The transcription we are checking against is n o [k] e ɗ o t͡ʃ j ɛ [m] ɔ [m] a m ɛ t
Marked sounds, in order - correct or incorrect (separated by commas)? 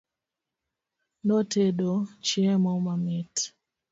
incorrect, correct, correct